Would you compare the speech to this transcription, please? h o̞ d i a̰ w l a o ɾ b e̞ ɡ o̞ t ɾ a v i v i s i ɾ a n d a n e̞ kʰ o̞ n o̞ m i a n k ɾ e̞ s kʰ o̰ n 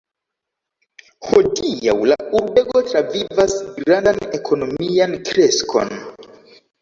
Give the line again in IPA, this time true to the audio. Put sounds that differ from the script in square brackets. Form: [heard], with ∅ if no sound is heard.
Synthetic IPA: h o̞ d i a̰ w l a [u] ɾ b e̞ ɡ o̞ t ɾ a v i v [a] s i ɾ a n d a n e̞ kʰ o̞ n o̞ m i a n k ɾ e̞ s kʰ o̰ n